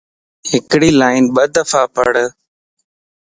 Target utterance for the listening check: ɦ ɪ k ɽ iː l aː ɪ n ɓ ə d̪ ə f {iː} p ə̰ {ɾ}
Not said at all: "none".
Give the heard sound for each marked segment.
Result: aː, ɽ

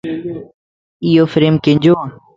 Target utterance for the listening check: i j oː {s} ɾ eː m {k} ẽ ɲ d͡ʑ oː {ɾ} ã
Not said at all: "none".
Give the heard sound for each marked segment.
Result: f, k, none

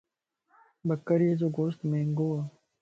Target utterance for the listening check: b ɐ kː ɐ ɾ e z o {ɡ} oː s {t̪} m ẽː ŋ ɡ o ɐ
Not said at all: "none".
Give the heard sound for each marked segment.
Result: ɡ, t̪

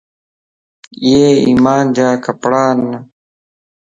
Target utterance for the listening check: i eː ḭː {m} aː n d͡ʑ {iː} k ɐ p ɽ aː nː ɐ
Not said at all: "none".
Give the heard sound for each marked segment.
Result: m, aː

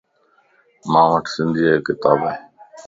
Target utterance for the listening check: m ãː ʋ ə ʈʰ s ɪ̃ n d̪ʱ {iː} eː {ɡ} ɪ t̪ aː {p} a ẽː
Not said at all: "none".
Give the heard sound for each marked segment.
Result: iː, k, b

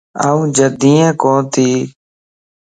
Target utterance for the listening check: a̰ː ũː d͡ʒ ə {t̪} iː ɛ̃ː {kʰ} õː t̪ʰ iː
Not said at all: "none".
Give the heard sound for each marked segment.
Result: d̪, k

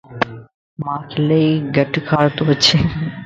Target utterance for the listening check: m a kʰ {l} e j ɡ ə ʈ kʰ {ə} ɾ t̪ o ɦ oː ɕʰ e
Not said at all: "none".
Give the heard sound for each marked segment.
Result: l, a

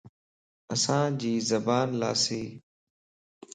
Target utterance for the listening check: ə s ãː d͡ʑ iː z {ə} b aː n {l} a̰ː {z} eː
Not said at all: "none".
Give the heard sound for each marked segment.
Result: ə, l, s

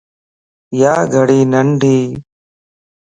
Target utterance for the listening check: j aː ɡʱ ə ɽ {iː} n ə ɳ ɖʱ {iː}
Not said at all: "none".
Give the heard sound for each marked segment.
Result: iː, iː

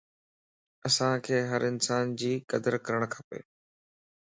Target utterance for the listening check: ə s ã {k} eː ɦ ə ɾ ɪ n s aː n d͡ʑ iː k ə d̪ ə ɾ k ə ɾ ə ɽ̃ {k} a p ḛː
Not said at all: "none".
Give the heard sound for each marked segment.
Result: kʰ, kʰ

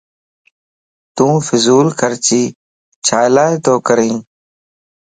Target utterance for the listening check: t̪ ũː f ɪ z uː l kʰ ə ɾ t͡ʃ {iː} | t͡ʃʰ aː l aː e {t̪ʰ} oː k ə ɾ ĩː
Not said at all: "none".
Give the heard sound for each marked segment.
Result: iː, t̪

